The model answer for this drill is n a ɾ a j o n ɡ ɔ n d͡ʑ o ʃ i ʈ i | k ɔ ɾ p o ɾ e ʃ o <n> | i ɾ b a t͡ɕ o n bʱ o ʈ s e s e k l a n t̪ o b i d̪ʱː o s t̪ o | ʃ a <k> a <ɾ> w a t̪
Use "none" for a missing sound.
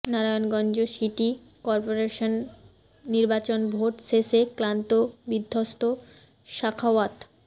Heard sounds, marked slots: nː, kʰ, none

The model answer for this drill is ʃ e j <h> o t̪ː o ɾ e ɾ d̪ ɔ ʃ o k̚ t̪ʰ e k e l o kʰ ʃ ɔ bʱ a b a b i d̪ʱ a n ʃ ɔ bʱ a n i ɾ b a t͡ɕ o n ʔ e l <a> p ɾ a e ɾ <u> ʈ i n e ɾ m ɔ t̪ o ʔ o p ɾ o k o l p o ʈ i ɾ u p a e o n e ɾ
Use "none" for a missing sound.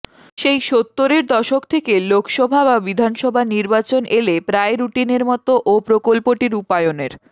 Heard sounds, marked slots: ʃ, e, u

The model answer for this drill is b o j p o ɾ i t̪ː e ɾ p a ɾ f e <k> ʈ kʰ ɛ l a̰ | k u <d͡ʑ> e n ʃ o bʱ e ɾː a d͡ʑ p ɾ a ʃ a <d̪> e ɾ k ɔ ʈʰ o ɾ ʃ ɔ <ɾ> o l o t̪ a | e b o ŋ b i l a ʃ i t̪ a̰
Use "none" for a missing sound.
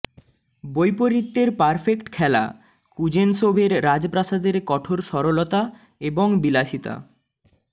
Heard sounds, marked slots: k, d͡ʑ, d̪, ɾ

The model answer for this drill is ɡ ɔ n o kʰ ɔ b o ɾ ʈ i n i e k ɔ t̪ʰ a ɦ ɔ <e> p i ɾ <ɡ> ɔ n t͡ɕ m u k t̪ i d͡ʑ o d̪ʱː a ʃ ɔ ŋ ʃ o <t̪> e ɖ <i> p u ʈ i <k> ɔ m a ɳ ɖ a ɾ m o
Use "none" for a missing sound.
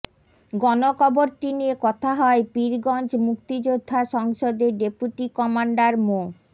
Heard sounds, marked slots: e, ɡ, d̪, e, k

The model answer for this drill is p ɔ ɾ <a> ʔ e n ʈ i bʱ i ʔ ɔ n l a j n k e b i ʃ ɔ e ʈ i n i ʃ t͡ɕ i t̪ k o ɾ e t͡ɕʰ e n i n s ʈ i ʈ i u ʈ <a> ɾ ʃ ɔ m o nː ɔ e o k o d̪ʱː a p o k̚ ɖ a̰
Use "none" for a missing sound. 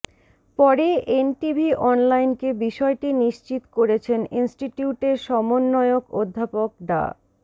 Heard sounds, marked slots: e, e

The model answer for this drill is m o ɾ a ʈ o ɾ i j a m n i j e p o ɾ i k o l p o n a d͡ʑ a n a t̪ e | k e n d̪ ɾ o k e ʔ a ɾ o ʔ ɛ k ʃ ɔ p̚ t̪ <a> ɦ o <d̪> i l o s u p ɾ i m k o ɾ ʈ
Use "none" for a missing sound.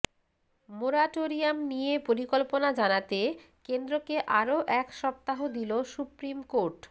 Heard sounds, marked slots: a, d̪

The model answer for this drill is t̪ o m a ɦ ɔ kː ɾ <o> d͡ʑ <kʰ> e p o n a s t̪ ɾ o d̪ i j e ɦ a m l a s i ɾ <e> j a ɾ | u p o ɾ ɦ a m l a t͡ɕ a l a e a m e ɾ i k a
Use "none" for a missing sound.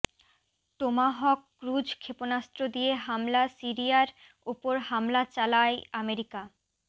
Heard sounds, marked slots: u, kʰ, i

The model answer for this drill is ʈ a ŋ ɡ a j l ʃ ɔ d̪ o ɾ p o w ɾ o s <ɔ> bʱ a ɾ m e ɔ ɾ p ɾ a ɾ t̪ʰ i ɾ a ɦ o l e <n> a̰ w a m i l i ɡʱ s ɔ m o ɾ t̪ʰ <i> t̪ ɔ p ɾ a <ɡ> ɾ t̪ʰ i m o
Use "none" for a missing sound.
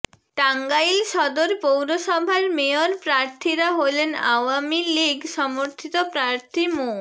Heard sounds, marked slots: ɔ, n, i, none

